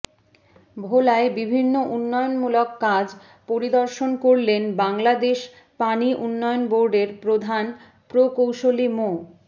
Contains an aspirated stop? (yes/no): no